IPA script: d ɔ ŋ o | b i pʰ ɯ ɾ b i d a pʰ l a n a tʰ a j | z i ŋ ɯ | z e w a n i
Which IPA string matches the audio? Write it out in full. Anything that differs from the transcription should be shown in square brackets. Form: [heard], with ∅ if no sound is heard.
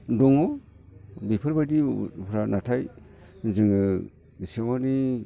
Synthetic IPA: d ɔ ŋ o | b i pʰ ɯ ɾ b [a] d [i] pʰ [ɾ] a n a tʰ a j | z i ŋ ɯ | [s] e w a n i